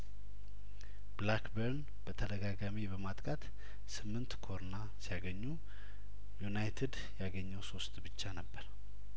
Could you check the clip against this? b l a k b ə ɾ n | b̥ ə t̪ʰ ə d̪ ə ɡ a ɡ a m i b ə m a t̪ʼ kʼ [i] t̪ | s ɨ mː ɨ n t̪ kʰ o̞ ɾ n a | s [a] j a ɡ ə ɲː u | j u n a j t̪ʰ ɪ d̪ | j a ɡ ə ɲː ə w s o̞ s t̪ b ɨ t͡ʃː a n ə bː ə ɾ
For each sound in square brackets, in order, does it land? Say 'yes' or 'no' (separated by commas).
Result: no, no